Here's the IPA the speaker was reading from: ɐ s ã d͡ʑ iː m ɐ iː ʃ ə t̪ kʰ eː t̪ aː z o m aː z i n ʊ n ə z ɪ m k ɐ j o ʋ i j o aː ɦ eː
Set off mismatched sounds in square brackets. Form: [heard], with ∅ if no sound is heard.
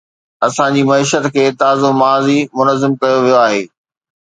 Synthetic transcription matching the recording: ɐ s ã d͡ʑ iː m ɐ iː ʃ ə t̪ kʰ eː t̪ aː z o m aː z i [m] ʊ n ə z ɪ m k ɐ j o ʋ i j o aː ɦ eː

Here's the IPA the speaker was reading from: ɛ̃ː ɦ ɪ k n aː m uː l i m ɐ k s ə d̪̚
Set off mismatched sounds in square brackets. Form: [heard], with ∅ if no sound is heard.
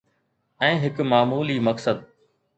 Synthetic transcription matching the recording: ɛ̃ː ɦ ɪ k [m] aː m uː l i m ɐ k s ə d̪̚

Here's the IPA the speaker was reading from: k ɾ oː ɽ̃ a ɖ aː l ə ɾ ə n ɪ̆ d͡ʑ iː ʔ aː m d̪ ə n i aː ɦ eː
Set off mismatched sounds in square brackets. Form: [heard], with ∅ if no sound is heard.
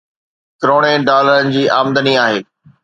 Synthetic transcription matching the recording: k ɾ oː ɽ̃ [e] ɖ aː l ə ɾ ə n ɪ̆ d͡ʑ iː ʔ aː m d̪ ə n i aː ɦ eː

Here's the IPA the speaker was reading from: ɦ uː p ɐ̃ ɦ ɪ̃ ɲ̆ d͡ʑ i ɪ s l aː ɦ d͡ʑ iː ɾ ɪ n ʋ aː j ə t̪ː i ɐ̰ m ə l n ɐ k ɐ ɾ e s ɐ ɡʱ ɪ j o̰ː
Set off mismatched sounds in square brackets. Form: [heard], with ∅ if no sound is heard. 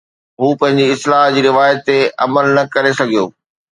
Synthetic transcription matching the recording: ɦ uː p ɐ̃ ɦ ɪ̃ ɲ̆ d͡ʑ i ɪ s l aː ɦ d͡ʑ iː ɾ ɪ [∅] ʋ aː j ə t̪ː [e] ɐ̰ m ə l n ɐ k ɐ ɾ e s ɐ ɡʱ [i] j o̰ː

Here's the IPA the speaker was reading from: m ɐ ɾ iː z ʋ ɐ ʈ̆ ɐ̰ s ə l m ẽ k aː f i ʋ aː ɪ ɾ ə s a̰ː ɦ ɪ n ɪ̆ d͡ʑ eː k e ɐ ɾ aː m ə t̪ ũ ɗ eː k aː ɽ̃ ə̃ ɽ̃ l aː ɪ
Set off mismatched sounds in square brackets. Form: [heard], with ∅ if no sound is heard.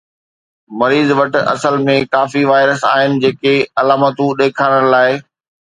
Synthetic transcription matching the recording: m ɐ ɾ iː z ʋ ɐ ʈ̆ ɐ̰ s ə l m ẽ k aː f i ʋ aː ɪ ɾ ə s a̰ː ɦ ɪ n ɪ̆ d͡ʑ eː k e ɐ [l] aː m ə t̪ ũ ɗ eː [kʰ] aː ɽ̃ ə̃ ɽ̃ l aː ɪ

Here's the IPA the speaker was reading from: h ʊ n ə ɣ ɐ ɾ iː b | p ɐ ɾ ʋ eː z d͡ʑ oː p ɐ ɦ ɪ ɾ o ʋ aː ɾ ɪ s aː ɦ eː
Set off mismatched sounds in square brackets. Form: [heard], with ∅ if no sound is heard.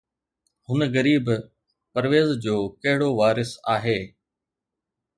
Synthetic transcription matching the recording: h ʊ n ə ɣ ɐ ɾ iː b | p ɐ ɾ ʋ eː z d͡ʑ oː [k] ɐ ɦ ɪ [ɽ] o ʋ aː ɾ ɪ s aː ɦ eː

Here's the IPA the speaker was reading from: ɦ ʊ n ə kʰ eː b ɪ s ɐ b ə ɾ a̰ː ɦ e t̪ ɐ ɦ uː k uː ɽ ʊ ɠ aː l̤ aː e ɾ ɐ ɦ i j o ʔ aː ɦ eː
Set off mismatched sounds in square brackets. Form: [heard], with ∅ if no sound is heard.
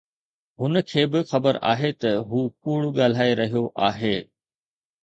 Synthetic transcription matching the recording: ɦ ʊ n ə kʰ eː b ɪ [x] ɐ b ə ɾ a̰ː ɦ e t̪ ɐ ɦ uː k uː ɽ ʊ ɠ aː l̤ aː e ɾ ɐ ɦ i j o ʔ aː ɦ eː

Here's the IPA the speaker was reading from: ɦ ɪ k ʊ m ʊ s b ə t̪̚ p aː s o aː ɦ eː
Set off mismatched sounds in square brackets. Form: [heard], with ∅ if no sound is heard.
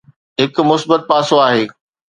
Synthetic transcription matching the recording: ɦ ɪ k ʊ m ʊ s b ə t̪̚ p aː s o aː ɦ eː

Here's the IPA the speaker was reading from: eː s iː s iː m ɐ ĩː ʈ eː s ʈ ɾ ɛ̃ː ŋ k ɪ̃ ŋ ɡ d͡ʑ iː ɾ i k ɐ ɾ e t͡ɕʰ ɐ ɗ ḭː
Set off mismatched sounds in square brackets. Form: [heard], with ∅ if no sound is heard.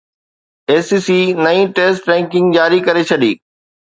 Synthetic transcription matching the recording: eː s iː s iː [n] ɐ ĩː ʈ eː s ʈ ɾ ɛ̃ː ŋ k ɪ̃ ŋ ɡ d͡ʑ [aː] ɾ i k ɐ ɾ e t͡ɕʰ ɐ ɗ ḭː

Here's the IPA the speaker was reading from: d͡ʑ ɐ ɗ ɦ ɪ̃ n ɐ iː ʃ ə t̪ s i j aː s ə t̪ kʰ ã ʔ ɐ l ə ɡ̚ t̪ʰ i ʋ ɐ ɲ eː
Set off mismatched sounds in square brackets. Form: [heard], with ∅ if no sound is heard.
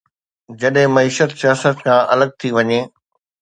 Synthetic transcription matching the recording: d͡ʑ ɐ ɗ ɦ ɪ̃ [m] ɐ iː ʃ ə t̪ s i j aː s ə t̪ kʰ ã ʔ ɐ l ə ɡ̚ t̪ʰ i ʋ ɐ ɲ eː

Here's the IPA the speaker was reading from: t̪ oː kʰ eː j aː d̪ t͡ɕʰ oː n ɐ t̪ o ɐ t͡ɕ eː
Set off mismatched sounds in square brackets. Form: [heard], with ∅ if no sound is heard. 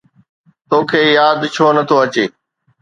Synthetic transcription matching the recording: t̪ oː kʰ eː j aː d̪ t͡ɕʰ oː n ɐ [t̪ʰ] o ɐ t͡ɕ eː

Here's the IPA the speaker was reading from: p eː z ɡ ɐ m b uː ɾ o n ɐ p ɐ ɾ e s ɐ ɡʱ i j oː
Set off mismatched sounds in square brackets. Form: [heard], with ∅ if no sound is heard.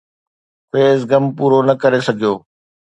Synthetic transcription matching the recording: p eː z ɡ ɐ m [p] uː ɾ o n ɐ [k] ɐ ɾ e s ɐ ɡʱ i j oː

